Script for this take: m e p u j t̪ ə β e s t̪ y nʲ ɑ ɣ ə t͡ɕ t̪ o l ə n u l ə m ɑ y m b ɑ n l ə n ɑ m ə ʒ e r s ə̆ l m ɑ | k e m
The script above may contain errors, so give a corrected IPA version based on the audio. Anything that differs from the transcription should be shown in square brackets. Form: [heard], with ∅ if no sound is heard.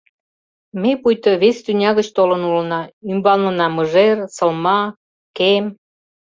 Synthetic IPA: m e p u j t̪ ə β e s t̪ y nʲ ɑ ɣ ə t͡ɕ t̪ o l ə n u l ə [n] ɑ y m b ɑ n l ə n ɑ m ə ʒ e r s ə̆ l m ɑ | k e m

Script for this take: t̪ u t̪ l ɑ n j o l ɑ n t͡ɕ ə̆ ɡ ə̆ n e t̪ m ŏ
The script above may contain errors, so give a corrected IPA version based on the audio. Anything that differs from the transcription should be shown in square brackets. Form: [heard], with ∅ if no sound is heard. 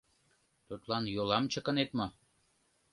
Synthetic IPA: t̪ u t̪ l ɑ n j o l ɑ [m] t͡ɕ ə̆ [k] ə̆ n e t̪ m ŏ

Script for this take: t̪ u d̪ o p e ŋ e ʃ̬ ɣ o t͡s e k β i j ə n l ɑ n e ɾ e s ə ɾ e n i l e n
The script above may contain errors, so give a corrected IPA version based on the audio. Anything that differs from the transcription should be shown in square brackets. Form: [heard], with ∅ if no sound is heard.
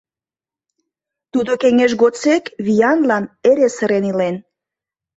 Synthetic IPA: t̪ u d̪ o [k] e ŋ e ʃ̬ ɣ o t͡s e k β i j [ɑ] n l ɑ n e ɾ e s ə ɾ e n i l e n

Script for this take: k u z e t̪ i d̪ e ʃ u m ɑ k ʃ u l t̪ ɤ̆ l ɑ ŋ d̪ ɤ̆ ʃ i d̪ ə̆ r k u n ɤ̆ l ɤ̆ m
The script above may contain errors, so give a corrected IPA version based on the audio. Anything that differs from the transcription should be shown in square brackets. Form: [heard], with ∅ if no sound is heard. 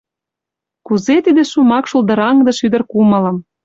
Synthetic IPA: k u z e t̪ i d̪ e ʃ u m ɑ k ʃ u l [d̪] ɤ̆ [ɾ] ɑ ŋ d̪ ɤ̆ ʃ [y] d̪ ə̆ r k u [m] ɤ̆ l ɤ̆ m

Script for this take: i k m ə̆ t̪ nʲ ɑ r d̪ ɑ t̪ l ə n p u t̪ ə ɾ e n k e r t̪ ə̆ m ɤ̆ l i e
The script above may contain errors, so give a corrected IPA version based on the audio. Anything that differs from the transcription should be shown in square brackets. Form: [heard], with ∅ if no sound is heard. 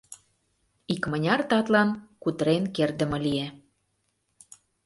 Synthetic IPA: i k m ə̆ [∅] nʲ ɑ r [t̪] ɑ t̪ l [ɑ] n [k] u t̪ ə ɾ e n k e r [d̪] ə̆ m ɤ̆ l i e

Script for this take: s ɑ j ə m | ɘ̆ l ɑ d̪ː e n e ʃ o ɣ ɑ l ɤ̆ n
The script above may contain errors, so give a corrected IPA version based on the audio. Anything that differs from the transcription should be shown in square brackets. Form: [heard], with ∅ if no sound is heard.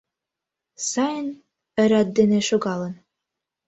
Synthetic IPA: s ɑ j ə [n] | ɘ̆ [ɾ] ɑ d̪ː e n e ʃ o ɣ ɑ l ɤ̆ n

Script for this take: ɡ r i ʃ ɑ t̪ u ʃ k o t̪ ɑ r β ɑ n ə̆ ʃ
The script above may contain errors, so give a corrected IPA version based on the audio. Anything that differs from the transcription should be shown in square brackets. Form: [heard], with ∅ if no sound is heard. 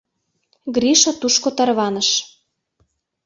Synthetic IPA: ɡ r i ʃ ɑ t̪ u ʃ k o t̪ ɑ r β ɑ n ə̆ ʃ

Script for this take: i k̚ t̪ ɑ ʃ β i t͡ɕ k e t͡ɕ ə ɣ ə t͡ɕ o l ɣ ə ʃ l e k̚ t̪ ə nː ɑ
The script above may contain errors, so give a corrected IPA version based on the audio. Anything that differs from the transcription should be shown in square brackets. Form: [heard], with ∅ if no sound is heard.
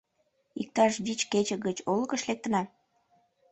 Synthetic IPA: i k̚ t̪ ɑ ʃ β i t͡ɕ k e t͡ɕ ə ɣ ə t͡ɕ o l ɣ ə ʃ l e k̚ t̪ ə [n] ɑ

